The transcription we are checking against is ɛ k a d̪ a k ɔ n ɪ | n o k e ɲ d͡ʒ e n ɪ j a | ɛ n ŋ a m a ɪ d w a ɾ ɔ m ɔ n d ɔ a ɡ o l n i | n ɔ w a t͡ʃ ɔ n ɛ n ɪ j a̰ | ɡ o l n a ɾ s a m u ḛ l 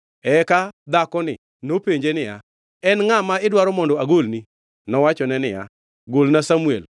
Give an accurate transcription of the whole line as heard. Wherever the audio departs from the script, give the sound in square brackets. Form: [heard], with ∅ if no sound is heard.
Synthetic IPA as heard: ɛ k a d̪ a k ɔ n ɪ | n o [p] e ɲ d͡ʒ e n ɪ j a | ɛ n ŋ a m a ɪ d w a ɾ ɔ m ɔ n d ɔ a ɡ o l n i | n ɔ w a t͡ʃ ɔ n ɛ n ɪ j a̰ | ɡ o l n a [∅] s a m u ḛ l